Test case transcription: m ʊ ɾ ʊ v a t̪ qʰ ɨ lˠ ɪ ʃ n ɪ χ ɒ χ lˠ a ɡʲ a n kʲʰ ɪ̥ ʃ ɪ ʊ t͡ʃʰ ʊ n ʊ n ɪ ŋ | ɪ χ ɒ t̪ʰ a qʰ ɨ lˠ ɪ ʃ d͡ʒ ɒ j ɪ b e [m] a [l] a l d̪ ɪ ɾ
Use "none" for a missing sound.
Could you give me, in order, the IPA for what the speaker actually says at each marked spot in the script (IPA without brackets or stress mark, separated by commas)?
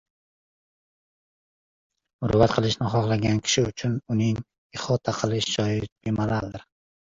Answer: m, l